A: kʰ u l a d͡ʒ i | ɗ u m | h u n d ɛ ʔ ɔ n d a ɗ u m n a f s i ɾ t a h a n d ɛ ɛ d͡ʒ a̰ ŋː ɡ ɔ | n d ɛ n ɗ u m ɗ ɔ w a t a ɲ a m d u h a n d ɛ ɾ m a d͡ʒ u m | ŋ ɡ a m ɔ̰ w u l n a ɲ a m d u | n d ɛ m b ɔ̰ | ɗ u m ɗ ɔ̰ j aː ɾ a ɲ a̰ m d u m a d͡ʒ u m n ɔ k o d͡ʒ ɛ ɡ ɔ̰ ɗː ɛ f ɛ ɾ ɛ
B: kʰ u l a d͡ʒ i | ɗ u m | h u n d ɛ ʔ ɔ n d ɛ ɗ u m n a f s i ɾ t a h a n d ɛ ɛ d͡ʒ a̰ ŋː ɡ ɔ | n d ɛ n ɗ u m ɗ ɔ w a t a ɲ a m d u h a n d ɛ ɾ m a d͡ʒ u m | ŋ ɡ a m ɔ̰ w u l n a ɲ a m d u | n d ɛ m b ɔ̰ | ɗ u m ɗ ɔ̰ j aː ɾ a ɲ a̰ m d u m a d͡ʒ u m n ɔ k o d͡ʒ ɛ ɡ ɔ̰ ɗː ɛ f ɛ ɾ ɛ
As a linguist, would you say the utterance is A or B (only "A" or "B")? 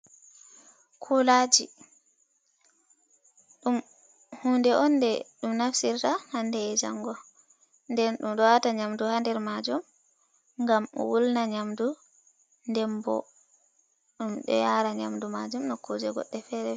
B